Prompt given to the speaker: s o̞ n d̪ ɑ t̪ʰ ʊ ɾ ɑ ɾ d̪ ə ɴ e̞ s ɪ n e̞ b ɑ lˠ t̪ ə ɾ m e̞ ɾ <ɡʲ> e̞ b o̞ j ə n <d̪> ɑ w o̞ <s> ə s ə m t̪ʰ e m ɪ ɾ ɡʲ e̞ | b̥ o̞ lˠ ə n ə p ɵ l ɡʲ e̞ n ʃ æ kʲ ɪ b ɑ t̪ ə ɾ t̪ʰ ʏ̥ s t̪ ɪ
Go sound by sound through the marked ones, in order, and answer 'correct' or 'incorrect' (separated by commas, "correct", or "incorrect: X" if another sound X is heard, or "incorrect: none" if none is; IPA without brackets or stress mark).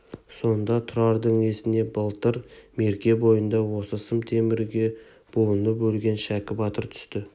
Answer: incorrect: kʲ, correct, correct